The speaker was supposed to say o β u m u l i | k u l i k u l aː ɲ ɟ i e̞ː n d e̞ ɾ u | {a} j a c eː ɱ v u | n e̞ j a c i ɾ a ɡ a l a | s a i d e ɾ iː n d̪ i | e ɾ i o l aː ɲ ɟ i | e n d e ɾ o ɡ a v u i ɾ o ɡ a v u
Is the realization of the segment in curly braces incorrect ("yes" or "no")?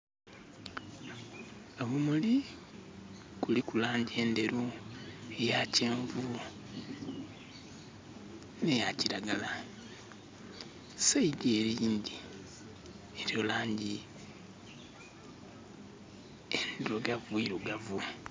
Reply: yes